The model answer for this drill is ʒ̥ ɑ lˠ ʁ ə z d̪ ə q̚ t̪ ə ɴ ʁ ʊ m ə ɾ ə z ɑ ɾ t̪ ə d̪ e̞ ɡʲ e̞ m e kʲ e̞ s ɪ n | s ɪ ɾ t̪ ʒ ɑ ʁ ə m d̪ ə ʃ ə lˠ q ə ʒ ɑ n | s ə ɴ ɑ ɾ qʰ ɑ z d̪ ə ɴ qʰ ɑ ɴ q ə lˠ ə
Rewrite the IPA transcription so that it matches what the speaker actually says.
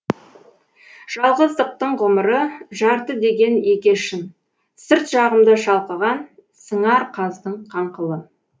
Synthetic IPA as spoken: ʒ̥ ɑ lˠ ʁ ə z d̪ ə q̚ t̪ ə ɴ ʁ ʊ m ə ɾ ə ʒ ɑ ɾ t̪ ə d̪ e̞ ɡʲ e̞ n e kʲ e̞ ʃ ɪ n | s ɪ ɾ t̪ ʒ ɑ ʁ ə m d̪ ə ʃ ɑ lˠ q ə ʁ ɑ n | s ə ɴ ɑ ɾ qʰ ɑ z d̪ ə ɴ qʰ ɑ ɴ q ə lˠ ə